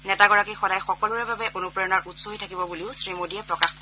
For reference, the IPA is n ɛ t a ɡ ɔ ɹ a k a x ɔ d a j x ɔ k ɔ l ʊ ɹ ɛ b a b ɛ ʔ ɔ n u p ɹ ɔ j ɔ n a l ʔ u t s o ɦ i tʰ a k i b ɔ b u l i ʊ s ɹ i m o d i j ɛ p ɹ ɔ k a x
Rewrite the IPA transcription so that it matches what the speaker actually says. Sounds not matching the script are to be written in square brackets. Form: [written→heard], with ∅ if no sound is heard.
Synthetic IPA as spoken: n ɛ t a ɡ ɔ ɹ a k [a→i] x ɔ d a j x ɔ k ɔ l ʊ ɹ ɛ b a b ɛ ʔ [ɔ→o] n u p ɹ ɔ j ɔ n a [l→ɹ] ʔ u t s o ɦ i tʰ a k i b ɔ b u l i ʊ s ɹ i m o d i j ɛ p ɹ ɔ k a x